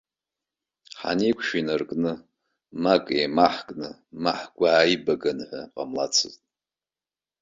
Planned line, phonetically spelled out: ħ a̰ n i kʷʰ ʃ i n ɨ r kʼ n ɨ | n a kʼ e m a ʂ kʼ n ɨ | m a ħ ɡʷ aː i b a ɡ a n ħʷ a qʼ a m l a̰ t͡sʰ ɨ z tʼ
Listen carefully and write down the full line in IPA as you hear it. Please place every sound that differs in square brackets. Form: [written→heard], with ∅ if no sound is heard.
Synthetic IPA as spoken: ħ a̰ n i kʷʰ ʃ i n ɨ r kʼ n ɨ | [n→m] a kʼ e m a [ʂ→ħ] kʼ n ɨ | m a ħ ɡʷ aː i b a ɡ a n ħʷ a qʼ a m l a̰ t͡sʰ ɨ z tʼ